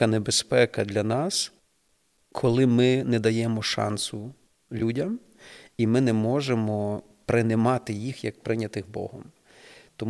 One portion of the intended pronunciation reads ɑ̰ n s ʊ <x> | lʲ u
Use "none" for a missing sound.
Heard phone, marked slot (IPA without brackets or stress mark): none